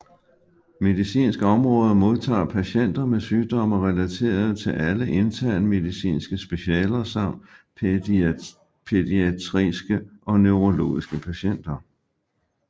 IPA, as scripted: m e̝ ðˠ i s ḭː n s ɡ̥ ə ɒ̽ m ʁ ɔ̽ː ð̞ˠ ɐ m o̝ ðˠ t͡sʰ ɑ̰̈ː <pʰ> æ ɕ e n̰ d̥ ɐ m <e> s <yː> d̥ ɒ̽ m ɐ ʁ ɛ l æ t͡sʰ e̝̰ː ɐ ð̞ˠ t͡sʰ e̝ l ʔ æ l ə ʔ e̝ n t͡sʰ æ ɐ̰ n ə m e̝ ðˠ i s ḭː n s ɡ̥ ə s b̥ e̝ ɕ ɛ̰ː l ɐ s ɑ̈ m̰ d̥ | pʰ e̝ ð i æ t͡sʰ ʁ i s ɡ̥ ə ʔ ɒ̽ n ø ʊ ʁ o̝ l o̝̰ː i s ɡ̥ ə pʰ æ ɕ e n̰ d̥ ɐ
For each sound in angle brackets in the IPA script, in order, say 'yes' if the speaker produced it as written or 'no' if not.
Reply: yes, yes, yes

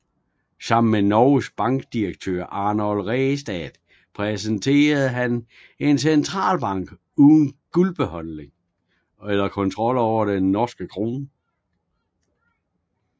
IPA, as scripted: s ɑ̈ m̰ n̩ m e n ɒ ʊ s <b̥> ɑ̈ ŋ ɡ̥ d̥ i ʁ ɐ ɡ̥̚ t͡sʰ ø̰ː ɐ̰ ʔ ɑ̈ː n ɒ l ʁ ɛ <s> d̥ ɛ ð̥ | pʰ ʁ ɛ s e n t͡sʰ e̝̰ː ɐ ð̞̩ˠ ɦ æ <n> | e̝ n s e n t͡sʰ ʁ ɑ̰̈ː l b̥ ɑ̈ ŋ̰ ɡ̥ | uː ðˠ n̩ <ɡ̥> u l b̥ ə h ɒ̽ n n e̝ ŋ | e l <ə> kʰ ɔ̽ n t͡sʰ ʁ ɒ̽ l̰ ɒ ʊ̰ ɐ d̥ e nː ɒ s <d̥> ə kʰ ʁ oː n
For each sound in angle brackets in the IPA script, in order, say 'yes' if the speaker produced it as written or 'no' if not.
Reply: yes, yes, yes, yes, no, no

